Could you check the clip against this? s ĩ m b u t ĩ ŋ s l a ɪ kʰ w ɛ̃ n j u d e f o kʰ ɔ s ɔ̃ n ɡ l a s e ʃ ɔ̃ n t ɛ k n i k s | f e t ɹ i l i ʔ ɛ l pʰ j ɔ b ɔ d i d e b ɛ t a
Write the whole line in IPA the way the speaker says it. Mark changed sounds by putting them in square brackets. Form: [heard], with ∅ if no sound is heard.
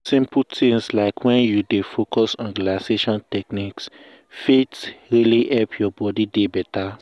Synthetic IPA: s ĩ m [p] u t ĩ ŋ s l a ɪ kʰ w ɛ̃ n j u d e f o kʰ ɔ s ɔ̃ n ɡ l a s e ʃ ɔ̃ n t ɛ k n i k s | f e t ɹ i l i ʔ ɛ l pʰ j ɔ b ɔ d i d e b ɛ t a